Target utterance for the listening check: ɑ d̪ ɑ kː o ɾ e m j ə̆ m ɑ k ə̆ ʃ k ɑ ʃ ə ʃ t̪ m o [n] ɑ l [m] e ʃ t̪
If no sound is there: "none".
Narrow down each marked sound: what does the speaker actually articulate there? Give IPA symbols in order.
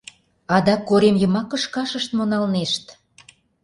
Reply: n, n

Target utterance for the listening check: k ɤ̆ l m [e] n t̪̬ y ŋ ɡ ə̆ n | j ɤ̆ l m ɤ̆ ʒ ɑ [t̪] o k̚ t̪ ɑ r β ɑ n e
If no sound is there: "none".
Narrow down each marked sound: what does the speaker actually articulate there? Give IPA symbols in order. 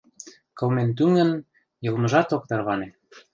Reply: e, t̪

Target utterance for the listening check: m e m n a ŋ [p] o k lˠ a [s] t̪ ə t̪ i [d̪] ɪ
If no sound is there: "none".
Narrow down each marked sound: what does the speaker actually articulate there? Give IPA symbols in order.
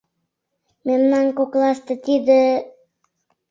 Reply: k, s, d̪

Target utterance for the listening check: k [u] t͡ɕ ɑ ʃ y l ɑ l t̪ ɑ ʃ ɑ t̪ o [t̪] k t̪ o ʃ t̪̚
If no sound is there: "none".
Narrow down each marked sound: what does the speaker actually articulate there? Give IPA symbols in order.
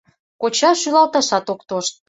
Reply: o, none

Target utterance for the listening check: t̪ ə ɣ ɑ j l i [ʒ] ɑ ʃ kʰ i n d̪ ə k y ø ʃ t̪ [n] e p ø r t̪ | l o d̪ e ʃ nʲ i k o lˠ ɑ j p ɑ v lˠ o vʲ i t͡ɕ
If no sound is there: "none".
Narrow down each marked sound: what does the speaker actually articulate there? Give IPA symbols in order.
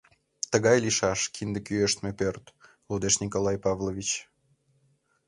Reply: ʃ, m

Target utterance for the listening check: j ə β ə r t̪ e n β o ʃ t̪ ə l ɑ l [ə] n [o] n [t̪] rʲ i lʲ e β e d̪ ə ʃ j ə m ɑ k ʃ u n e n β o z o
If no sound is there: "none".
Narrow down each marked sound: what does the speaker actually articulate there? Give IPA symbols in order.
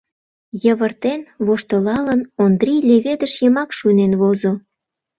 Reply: ə, o, d̪

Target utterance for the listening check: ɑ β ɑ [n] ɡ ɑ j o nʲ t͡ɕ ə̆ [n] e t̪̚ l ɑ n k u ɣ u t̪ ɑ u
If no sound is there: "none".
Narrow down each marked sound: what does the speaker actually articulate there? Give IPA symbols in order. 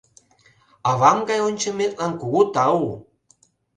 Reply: m, m

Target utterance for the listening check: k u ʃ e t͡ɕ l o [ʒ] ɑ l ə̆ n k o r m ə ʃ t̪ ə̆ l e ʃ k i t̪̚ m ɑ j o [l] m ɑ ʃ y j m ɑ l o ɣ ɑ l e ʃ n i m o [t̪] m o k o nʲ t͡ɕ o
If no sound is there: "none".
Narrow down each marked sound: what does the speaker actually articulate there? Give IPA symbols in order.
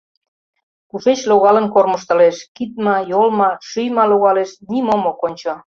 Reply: ɣ, l, none

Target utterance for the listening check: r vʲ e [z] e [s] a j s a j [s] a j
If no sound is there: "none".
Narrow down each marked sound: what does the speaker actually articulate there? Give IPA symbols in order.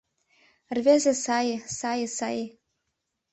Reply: z, s, s

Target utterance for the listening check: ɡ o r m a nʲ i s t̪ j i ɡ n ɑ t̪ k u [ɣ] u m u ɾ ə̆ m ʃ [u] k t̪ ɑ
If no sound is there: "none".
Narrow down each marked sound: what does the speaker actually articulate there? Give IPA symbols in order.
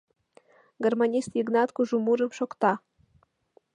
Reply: ʒ, o

